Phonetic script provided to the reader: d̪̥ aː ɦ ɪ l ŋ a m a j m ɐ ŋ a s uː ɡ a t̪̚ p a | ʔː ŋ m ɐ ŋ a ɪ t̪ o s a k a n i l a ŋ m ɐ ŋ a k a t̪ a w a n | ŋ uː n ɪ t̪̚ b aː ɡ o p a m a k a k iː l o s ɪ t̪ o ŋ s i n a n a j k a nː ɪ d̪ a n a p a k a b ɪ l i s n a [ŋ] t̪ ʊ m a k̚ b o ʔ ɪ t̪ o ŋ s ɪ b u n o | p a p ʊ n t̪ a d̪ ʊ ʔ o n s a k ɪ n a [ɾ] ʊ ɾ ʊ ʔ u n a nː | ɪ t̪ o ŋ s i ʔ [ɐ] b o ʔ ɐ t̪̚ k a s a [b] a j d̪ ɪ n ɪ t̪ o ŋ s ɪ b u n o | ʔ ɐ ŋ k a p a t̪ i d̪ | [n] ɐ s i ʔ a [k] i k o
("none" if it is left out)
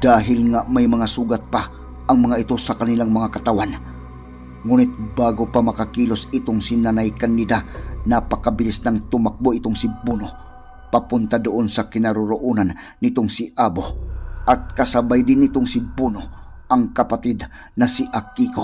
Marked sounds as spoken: ŋ, ɾ, a, b, n, k

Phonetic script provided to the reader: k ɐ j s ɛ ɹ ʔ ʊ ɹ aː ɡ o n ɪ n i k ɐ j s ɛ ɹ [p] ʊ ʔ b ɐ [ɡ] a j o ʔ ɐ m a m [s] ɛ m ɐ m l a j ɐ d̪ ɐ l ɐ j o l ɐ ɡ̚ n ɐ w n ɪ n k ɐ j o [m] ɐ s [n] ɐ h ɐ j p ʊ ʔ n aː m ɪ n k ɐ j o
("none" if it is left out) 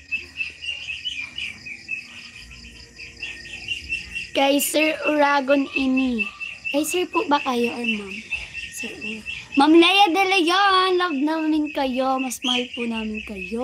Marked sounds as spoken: p, k, s, m, m

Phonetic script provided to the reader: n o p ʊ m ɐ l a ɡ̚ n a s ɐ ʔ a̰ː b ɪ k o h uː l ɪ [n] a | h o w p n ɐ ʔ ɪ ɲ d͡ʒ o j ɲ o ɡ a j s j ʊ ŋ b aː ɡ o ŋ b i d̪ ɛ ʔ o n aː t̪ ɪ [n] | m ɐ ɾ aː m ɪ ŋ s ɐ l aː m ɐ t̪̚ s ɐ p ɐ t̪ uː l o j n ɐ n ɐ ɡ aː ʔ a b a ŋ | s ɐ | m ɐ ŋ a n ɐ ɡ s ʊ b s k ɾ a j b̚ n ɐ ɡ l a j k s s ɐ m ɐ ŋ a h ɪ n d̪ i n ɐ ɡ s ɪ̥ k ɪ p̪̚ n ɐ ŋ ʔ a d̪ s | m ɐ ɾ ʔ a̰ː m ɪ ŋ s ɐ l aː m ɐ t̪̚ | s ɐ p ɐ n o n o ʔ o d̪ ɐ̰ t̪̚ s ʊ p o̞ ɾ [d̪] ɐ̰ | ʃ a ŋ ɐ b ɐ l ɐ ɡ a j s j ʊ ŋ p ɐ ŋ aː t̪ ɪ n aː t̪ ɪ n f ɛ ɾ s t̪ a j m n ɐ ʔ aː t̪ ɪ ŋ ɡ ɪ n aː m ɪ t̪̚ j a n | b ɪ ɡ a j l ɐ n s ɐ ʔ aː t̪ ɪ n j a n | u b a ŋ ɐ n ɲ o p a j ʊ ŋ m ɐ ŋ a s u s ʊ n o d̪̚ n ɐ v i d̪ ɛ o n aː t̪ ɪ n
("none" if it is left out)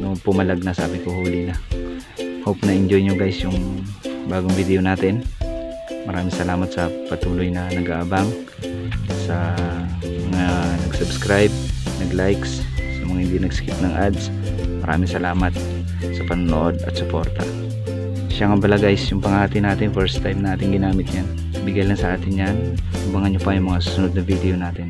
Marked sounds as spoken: n, n, t̪

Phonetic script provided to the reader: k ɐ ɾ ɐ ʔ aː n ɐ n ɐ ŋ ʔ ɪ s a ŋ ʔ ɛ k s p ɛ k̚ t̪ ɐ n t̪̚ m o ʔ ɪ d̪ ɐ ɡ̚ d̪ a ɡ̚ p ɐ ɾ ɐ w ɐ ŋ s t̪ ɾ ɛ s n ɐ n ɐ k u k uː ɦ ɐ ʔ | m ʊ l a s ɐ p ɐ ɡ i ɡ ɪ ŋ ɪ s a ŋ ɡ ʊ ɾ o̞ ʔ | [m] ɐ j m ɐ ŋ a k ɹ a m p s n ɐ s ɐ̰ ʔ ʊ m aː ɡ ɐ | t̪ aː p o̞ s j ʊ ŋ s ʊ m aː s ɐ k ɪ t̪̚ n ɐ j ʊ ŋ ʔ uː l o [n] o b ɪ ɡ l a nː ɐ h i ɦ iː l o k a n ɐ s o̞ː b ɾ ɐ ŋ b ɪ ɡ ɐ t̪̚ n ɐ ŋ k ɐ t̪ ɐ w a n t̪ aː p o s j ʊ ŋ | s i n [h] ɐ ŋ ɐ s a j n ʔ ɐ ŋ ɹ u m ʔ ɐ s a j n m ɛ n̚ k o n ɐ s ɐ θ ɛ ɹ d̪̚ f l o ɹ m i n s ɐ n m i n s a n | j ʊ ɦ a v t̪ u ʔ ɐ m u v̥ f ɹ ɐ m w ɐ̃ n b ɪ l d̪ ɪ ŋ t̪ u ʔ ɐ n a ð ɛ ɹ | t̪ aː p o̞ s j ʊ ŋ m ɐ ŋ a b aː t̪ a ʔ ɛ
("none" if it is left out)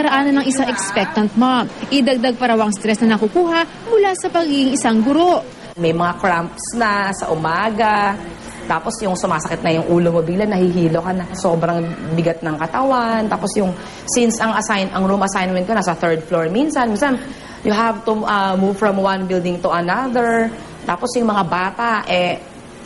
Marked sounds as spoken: m, m, s

